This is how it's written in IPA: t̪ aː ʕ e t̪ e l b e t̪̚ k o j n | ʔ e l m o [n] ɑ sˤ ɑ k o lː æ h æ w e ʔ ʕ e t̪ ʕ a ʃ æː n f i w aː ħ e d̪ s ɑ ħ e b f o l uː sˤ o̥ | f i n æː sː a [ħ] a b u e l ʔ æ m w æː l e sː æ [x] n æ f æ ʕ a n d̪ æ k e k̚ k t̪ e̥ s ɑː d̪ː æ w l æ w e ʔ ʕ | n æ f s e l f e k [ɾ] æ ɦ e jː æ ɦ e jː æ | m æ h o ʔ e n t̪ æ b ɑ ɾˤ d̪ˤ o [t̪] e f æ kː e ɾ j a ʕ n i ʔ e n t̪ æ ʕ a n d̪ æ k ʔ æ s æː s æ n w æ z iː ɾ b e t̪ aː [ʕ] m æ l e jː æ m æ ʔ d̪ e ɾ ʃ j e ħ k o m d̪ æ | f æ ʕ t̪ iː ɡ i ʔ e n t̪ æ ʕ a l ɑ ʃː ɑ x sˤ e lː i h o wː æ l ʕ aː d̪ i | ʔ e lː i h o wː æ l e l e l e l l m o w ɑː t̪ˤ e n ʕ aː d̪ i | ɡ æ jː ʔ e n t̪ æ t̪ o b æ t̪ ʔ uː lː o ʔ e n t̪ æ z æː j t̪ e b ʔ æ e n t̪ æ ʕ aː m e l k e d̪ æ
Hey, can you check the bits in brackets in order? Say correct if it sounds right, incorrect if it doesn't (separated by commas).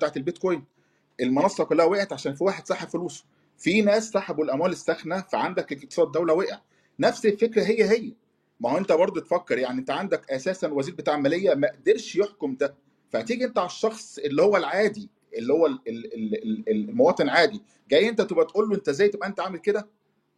correct, correct, correct, correct, correct, correct